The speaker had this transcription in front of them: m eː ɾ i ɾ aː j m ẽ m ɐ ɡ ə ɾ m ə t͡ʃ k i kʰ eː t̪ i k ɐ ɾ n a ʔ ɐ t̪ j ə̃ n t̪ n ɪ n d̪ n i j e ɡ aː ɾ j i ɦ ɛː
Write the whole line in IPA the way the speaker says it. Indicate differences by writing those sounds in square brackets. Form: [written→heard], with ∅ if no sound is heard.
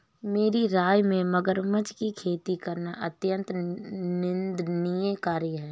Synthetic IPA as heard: m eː ɾ i ɾ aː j m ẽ m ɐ ɡ ə ɾ m ə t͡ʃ k i kʰ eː t̪ i k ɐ ɾ n a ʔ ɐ t̪ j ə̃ n t̪ n ɪ n d̪ n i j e [ɡ→k] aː ɾ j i ɦ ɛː